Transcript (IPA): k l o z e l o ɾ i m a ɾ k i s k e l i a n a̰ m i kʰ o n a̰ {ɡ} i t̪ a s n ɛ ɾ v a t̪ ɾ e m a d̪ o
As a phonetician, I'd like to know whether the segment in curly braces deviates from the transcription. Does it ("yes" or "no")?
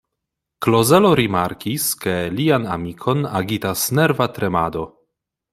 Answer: no